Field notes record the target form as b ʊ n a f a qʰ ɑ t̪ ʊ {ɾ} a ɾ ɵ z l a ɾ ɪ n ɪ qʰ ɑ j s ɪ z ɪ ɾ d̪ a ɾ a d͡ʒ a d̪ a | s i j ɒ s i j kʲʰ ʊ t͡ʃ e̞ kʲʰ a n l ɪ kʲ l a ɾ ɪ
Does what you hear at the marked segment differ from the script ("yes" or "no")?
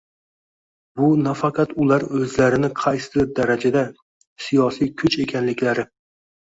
yes